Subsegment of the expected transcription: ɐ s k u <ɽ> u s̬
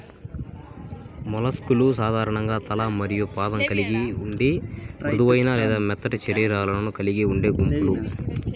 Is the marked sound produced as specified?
no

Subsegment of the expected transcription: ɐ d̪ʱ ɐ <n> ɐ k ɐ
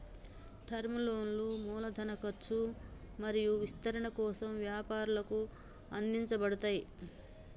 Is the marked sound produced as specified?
yes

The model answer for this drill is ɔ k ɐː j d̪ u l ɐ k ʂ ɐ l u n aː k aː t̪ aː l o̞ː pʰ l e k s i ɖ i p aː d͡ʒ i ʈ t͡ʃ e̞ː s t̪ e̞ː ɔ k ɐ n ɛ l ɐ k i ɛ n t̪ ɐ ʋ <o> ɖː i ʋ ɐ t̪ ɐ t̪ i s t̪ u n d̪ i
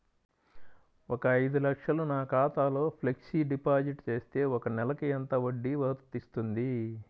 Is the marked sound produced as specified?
yes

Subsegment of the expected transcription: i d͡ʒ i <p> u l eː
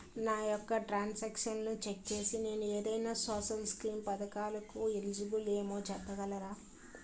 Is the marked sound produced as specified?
no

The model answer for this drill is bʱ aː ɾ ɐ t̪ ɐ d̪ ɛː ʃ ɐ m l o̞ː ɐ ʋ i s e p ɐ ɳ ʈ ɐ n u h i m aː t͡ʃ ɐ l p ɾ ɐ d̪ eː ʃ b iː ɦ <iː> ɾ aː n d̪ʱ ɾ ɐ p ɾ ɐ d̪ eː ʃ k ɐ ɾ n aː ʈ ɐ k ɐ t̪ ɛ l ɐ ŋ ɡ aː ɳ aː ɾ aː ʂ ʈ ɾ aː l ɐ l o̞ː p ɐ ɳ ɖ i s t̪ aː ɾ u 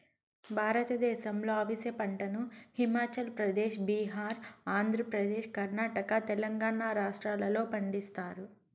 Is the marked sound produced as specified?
no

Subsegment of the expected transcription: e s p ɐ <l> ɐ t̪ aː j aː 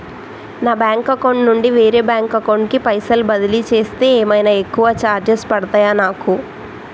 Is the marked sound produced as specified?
no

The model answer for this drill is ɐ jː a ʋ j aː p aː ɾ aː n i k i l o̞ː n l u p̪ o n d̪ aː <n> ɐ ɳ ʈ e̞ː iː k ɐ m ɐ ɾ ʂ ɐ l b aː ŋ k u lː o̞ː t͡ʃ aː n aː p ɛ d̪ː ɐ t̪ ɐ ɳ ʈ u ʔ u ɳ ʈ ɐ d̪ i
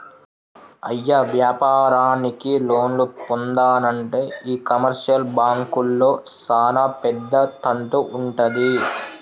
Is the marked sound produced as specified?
yes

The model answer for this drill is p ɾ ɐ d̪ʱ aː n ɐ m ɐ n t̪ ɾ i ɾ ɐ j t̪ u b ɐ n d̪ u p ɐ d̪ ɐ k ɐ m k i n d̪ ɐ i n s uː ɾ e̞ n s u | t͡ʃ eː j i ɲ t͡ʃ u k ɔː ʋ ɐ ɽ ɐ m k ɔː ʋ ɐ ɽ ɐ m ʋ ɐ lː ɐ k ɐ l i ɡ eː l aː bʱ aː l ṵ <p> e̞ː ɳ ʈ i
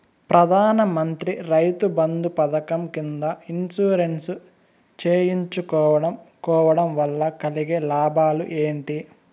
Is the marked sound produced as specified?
no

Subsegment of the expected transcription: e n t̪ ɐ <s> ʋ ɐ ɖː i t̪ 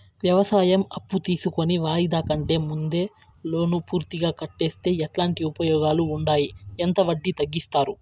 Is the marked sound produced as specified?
no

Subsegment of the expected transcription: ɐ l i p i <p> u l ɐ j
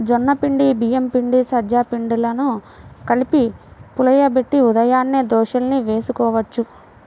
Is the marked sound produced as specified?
yes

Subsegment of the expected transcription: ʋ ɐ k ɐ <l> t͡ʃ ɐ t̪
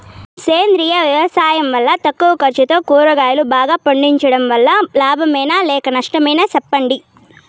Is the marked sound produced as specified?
no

